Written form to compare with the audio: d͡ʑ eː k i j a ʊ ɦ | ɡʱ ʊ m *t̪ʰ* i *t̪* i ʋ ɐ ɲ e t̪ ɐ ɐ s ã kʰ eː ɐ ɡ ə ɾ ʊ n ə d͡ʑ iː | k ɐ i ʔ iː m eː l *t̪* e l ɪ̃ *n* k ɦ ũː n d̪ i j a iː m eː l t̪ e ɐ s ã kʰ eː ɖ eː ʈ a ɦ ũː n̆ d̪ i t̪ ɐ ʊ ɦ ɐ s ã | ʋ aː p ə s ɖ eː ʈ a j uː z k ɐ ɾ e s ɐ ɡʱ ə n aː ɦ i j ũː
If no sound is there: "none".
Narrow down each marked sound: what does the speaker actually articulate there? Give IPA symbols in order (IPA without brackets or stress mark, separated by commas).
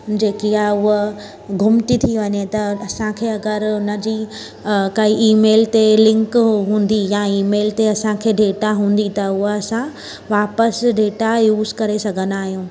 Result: t̪, t̪ʰ, t̪, ŋ